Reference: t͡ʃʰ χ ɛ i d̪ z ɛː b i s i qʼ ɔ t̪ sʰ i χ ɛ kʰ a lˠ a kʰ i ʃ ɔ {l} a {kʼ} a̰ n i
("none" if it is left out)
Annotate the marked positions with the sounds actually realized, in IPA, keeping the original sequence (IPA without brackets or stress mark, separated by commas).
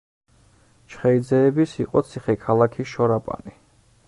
ɾ, pʼ